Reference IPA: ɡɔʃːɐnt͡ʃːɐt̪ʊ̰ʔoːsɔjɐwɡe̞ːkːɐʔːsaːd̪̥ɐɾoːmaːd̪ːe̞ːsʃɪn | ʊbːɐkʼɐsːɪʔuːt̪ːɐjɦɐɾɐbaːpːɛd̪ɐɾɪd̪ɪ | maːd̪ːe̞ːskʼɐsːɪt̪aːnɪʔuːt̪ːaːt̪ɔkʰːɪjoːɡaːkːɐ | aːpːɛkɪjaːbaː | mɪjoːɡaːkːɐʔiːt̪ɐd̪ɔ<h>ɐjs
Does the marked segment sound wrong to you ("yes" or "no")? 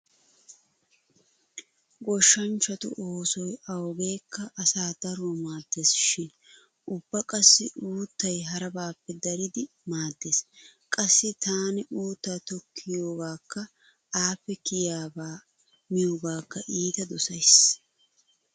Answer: yes